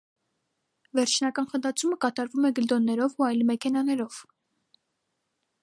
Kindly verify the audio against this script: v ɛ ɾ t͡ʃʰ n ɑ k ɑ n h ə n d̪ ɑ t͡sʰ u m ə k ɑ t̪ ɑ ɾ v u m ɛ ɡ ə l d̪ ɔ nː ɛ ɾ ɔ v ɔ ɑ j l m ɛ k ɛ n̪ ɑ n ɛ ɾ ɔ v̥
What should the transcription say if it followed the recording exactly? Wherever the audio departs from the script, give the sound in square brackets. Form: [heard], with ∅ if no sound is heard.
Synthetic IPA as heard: v ɛ ɾ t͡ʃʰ n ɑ k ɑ n [χ] ə n d̪ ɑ t͡sʰ u m ə k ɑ t̪ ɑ ɾ v u m ɛ ɡ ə l d̪ ɔ nː ɛ ɾ ɔ v [u] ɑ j l m ɛ [kʰ] ɛ n̪ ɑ n ɛ ɾ ɔ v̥